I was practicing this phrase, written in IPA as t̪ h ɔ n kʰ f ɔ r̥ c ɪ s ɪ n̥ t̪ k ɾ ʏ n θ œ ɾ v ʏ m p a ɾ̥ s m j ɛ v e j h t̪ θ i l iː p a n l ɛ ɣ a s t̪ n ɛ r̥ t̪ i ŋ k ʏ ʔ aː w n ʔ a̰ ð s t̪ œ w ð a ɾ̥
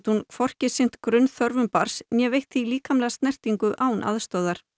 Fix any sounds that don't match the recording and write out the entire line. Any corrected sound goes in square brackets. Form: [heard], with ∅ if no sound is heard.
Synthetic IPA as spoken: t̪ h [u] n kʰ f ɔ r̥ c ɪ s ɪ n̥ t̪ k ɾ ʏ n θ œ ɾ v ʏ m p a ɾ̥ s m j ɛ v e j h t̪ θ i l iː [k] a [m] l ɛ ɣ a s t̪ n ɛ r̥ t̪ i ŋ k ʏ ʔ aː w n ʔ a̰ ð s t̪ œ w ð a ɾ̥